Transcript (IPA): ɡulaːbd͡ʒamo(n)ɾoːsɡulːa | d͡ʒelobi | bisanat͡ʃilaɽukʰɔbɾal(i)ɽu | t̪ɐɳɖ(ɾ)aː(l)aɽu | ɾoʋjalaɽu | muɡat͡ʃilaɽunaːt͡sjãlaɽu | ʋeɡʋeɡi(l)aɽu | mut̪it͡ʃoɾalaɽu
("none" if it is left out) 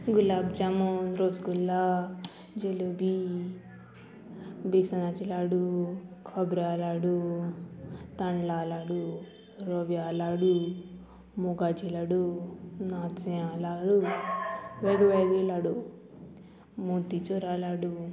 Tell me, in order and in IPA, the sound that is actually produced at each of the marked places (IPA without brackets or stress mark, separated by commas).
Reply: n, a, l, l, l